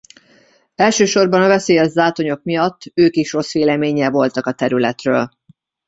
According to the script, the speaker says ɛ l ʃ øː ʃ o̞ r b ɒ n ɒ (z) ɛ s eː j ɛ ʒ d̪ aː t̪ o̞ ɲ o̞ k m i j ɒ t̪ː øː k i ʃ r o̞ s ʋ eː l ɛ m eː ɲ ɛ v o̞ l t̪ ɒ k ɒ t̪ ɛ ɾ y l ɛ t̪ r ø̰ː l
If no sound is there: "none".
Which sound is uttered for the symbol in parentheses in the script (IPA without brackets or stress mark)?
v